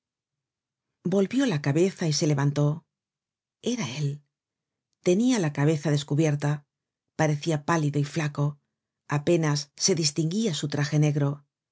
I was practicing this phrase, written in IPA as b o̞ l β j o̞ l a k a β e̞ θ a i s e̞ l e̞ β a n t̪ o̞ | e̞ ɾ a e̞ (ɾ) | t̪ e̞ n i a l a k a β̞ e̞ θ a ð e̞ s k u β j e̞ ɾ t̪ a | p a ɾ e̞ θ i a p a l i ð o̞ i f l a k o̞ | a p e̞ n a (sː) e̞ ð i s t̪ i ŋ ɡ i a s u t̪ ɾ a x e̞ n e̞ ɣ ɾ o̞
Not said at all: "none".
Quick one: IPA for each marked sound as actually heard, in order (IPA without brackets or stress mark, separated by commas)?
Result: l, sː